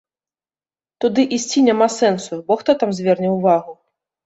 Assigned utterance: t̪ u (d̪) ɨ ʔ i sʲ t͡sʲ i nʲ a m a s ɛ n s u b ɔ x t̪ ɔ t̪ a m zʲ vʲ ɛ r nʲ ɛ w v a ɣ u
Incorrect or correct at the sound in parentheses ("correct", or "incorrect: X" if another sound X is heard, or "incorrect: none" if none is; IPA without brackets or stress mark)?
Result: correct